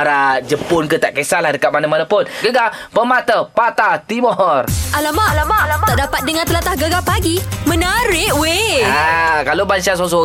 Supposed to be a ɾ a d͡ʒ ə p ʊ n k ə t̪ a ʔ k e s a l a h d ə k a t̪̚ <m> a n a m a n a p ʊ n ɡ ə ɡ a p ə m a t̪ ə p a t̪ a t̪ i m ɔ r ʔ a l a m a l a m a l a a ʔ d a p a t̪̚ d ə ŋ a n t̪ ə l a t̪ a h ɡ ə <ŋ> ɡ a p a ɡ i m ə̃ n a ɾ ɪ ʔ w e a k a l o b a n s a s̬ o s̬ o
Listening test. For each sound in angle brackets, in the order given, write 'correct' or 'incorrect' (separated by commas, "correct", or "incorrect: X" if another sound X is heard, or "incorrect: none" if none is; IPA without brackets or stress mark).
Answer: correct, incorrect: none